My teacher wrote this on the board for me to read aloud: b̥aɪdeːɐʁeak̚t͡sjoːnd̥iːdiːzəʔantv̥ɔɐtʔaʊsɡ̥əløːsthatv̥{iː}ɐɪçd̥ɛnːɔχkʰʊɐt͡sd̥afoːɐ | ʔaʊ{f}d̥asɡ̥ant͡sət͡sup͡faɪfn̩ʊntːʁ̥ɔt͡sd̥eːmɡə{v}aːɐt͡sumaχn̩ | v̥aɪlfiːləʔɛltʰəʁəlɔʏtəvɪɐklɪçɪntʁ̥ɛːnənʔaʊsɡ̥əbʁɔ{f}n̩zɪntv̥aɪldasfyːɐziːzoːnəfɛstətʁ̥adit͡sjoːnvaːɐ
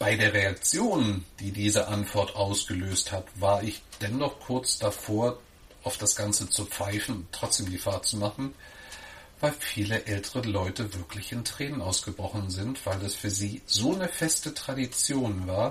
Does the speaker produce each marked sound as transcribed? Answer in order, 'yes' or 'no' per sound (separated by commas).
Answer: no, yes, no, no